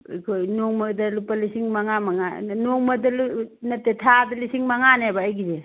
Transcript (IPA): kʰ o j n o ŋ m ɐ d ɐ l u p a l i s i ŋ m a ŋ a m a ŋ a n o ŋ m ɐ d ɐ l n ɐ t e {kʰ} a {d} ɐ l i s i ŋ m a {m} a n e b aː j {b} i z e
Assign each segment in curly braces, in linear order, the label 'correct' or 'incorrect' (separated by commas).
incorrect, correct, incorrect, incorrect